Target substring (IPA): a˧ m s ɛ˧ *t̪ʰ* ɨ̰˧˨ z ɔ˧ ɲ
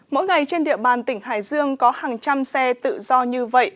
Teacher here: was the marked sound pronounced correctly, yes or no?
no